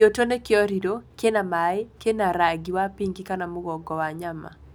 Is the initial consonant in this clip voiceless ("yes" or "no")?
yes